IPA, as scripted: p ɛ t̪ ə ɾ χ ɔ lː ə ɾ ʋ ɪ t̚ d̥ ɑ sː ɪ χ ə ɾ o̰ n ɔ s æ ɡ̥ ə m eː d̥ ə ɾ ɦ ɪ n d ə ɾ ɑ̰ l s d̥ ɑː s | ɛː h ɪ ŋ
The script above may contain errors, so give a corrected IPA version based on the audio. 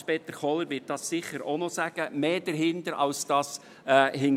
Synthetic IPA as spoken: p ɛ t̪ ə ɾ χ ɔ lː ə ɾ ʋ ɪ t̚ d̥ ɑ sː ɪ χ ə ɾ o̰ n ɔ s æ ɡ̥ ə m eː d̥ ə ɾ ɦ ɪ n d ə ɾ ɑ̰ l s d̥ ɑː s | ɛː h ɪ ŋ